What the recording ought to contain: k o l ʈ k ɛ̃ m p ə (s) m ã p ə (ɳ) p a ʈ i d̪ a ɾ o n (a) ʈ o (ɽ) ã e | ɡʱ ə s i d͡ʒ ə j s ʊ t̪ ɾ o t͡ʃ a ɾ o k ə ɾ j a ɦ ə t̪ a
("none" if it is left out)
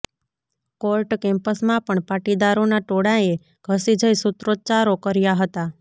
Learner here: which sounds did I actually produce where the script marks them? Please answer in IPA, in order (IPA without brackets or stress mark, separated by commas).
s, ɳ, a, ɽ